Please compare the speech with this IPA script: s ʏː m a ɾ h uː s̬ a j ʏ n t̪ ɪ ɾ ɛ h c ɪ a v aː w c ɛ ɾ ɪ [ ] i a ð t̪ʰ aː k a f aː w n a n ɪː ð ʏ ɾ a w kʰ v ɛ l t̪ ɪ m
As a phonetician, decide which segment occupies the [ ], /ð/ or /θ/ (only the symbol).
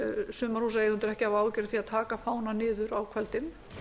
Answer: θ